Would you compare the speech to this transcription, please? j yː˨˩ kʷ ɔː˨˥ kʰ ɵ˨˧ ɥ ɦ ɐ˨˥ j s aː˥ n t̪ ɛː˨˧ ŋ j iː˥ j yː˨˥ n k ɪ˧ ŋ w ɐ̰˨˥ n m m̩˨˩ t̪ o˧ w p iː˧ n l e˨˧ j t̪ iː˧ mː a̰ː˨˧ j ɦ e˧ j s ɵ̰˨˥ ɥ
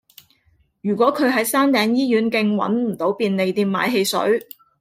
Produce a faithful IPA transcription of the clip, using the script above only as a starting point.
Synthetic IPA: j yː˨˩ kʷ ɔː˨˥ kʰ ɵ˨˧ ɥ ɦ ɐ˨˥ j s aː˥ n t̪ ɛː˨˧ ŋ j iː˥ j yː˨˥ n k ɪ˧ ŋ w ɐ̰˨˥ n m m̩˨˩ t̪ o˨˥ w p iː˧ n l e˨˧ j t̪ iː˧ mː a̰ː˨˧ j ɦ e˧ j s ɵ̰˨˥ ɥ

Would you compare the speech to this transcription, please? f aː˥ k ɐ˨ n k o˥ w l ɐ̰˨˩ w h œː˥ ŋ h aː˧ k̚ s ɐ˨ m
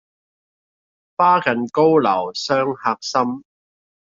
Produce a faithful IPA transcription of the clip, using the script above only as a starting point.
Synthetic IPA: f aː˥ k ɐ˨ n k o˥ w l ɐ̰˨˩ w s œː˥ ŋ h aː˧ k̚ s ɐ˥ m

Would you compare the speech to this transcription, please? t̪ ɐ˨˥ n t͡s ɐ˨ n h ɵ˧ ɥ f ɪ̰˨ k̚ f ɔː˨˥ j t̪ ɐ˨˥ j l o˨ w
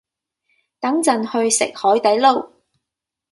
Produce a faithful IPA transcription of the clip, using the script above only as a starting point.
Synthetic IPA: t̪ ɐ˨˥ ŋ t͡s ɐ˨ n h ɵ˧ ɥ s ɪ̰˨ k̚ h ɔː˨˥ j t̪ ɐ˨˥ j l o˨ w

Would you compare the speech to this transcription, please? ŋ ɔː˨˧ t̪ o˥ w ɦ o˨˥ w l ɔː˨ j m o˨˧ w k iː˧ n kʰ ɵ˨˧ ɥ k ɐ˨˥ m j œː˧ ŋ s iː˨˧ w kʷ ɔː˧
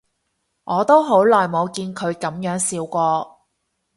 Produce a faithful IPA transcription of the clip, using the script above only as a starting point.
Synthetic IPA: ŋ ɔː˨˧ t̪ o˥ w ɦ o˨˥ w l ɔː˨ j m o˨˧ w k iː˧ n kʰ ɵ˨˧ ɥ k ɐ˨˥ m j œː˨˥ ŋ s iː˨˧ w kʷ ɔː˧

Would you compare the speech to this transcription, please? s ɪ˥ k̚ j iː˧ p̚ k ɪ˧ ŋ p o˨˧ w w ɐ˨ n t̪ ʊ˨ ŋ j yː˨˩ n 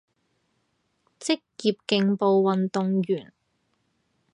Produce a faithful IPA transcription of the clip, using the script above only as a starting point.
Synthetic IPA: t͡s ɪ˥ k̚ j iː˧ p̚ k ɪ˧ ŋ p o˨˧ w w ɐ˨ n t̪ ʊ˨ ŋ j yː˨˩ n

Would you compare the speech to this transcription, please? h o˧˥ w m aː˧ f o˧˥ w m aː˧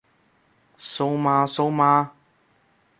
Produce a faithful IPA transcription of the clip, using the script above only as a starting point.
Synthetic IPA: s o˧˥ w m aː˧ s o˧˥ w m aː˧

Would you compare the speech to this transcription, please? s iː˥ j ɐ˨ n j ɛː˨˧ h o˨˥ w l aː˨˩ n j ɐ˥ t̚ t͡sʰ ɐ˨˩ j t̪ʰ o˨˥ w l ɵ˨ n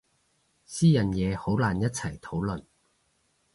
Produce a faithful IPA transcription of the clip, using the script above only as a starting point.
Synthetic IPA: s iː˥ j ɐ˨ n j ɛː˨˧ h o˨˥ w l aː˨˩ n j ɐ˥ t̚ t͡sʰ ɐ˨˩ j t̪ʰ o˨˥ w l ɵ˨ n

